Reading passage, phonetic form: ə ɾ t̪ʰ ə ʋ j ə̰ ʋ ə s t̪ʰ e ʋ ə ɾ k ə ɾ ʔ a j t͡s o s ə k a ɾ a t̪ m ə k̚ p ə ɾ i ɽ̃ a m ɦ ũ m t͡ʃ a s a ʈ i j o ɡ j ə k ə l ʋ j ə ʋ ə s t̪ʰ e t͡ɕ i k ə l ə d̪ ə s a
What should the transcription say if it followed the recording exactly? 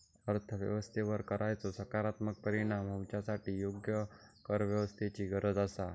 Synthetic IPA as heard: ə ɾ t̪ʰ ə ʋ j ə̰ ʋ ə s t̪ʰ e ʋ ə ɾ k ə ɾ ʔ a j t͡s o s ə k a ɾ a t̪ m ə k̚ p ə ɾ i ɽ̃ a m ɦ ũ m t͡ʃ a s a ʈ i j o ɡ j ə k ə ɾ ʋ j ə ʋ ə s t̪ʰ e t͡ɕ i ɡ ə ɾ ə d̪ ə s a